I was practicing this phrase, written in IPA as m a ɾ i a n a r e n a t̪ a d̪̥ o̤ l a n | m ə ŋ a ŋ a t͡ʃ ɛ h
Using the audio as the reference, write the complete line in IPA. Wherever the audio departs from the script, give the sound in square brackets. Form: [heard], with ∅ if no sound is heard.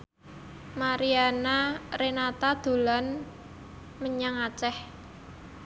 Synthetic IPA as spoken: m a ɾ i a n a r e n a t̪ a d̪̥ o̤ l a n | m ə [ɲ] a ŋ a t͡ʃ ɛ h